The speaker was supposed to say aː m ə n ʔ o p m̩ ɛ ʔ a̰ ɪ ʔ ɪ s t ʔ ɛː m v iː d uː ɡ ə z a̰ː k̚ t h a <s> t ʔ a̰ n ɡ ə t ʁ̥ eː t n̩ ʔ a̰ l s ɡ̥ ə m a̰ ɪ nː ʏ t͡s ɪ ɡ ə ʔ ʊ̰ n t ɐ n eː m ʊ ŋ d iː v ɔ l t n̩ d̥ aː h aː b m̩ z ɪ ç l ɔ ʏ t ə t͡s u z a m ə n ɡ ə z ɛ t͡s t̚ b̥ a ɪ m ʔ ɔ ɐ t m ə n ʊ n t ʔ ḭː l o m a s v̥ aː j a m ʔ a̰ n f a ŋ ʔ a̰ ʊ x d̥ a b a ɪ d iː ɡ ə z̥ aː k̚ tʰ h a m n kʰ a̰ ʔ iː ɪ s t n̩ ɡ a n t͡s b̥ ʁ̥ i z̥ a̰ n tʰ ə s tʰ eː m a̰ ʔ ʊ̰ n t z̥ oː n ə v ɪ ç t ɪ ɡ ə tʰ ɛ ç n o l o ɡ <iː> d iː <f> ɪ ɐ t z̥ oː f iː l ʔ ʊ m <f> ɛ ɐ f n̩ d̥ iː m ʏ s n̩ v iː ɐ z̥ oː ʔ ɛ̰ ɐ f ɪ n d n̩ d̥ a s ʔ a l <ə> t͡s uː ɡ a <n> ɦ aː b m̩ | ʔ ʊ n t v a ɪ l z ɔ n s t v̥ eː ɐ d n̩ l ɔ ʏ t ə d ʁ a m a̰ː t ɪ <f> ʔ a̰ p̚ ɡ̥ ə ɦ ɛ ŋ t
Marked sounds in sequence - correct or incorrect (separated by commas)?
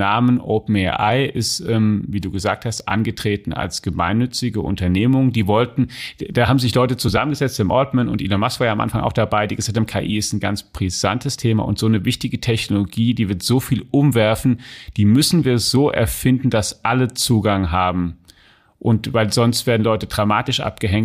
correct, correct, incorrect, incorrect, correct, incorrect, incorrect